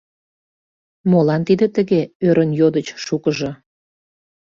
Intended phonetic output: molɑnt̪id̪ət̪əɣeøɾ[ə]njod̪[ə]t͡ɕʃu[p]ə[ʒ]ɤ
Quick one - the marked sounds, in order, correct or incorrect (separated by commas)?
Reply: correct, correct, incorrect, correct